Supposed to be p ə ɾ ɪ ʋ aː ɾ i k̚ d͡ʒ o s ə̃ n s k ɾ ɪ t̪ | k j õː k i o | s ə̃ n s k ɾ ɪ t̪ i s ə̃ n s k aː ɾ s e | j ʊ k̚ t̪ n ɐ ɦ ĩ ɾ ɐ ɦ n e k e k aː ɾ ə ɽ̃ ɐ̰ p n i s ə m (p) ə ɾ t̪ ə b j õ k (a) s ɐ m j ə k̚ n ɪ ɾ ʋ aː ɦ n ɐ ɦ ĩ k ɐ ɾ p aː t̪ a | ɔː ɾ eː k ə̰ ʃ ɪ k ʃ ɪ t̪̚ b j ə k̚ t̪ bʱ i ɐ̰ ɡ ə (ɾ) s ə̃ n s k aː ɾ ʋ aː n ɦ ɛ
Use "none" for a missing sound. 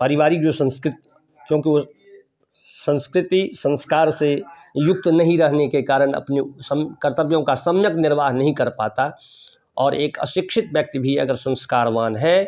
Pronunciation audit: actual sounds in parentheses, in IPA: k, a, ɾ

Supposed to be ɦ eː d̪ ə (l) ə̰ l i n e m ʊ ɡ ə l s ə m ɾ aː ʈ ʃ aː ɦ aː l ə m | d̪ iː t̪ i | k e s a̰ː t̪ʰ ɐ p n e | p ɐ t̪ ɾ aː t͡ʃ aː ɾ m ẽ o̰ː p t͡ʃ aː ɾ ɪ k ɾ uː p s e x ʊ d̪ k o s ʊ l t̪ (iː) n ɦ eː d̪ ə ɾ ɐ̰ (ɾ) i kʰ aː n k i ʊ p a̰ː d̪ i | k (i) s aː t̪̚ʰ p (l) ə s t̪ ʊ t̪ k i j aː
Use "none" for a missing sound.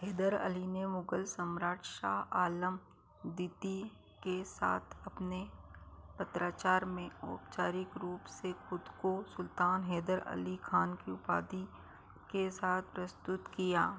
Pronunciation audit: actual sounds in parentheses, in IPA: ɾ, aː, l, e, ɾ

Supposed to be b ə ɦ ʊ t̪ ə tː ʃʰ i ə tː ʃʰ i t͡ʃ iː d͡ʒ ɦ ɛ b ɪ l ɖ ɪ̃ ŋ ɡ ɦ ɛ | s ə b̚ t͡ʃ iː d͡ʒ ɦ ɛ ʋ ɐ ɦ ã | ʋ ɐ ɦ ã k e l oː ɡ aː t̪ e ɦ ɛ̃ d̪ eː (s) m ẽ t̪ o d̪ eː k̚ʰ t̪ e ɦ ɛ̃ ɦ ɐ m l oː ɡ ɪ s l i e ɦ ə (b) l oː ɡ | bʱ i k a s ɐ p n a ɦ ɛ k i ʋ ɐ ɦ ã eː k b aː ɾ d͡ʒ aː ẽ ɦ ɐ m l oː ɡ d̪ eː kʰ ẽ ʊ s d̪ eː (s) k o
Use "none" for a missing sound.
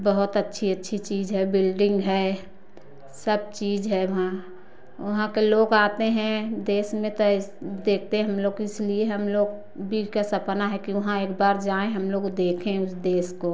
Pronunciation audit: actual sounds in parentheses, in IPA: s, m, s

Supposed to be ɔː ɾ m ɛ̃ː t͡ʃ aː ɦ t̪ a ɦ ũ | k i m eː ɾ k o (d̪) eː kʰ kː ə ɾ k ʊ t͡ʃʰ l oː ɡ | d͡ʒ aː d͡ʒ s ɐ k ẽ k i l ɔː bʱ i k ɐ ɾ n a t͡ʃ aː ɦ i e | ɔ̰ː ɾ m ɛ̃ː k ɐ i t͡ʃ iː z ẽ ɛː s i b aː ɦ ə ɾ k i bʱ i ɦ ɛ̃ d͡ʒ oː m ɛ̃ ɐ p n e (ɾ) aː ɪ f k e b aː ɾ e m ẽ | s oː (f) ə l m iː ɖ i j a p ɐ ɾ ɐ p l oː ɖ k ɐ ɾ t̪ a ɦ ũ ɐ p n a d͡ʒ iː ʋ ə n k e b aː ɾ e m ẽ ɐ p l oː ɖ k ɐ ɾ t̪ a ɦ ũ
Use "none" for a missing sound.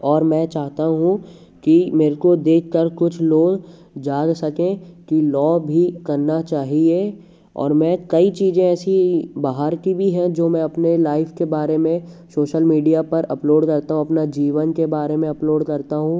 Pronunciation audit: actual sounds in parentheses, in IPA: d̪, l, ʃ

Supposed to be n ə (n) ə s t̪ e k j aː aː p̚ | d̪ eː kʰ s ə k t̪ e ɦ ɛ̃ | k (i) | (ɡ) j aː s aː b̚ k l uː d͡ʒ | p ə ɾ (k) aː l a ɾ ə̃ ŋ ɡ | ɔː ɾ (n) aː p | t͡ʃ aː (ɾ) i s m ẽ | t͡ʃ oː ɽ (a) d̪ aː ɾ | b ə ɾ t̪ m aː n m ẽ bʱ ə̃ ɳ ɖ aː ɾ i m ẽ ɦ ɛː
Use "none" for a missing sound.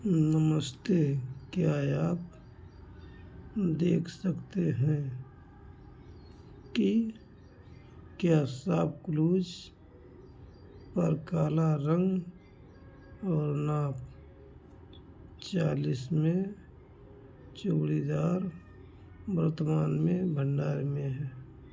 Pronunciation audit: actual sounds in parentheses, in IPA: m, i, k, k, n, l, i

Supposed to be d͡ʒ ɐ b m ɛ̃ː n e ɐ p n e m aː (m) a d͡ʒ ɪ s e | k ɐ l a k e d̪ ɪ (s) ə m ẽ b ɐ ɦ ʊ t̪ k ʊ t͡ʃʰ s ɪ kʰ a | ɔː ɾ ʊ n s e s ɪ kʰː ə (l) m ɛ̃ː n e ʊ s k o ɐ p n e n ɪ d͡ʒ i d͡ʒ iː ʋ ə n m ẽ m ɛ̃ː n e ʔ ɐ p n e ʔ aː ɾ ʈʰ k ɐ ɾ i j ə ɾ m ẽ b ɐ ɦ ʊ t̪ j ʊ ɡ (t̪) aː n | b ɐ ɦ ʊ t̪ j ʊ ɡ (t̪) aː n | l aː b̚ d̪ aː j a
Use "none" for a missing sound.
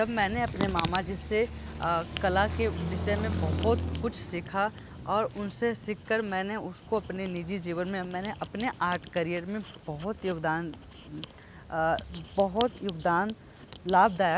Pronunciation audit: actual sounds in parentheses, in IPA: m, ʃ, ɾ, d̪, d̪

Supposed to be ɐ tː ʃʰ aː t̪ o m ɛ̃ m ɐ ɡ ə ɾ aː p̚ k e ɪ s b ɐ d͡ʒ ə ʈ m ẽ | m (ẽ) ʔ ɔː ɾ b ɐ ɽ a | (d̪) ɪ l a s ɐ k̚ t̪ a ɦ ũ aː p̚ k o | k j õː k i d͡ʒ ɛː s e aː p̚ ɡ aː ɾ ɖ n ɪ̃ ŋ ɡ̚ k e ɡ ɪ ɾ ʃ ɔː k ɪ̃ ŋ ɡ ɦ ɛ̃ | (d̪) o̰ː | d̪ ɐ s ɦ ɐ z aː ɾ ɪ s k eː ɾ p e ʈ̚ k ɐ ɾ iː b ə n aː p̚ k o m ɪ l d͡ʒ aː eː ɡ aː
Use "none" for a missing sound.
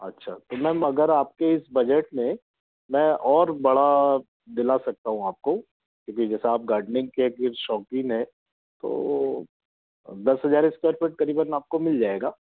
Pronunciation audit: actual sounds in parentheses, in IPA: ɛ̃, d̪, t̪

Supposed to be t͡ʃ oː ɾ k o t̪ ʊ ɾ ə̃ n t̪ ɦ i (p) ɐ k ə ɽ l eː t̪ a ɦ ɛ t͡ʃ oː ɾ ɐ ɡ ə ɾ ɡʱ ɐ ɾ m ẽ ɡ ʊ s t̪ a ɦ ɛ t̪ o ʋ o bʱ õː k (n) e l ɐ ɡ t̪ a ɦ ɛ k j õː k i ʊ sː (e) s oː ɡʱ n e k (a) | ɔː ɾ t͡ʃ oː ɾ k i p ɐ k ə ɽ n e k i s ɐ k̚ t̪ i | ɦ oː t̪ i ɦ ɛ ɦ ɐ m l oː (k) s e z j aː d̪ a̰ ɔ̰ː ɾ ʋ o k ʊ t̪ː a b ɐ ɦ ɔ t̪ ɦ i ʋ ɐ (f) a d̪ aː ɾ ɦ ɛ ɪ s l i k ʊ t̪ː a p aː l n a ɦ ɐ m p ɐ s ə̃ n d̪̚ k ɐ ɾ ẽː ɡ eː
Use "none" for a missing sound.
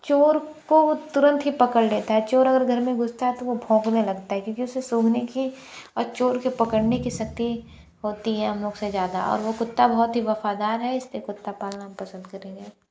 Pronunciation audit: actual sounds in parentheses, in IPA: p, n, e, i, ɡ, f

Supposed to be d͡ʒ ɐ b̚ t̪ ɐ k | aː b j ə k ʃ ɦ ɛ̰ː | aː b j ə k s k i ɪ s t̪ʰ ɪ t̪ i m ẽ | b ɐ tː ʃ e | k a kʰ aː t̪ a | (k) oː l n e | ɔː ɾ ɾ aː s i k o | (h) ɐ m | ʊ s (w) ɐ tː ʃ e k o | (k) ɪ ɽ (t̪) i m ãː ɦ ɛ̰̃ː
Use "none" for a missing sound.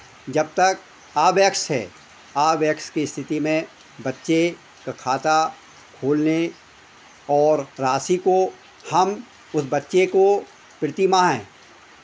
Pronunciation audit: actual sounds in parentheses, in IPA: kʰ, h, b, p, t̪

